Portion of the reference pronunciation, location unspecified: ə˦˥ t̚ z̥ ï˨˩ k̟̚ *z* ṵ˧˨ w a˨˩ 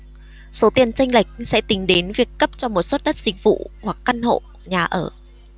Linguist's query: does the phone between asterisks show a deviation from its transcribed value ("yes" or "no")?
yes